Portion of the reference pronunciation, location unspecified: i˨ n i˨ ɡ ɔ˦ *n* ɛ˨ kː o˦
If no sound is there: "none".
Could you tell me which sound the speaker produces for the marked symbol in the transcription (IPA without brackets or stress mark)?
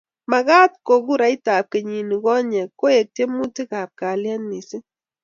ɲ